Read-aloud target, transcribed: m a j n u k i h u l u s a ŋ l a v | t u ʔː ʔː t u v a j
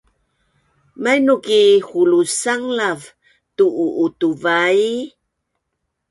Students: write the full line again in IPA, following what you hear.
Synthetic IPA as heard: m a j n u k i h u l u s a ŋ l a v | t u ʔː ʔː t u v a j